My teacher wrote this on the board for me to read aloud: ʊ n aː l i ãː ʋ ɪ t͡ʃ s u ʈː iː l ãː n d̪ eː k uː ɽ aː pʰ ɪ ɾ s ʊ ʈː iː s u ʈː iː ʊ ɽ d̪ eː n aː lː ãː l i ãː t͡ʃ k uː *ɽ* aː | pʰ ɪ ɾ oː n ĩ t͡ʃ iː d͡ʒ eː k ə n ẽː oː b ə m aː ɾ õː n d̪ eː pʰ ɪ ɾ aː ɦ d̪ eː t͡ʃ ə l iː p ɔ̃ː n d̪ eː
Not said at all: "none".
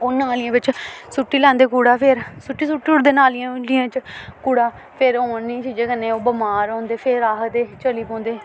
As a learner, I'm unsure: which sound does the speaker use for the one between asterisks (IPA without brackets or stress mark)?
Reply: ɽ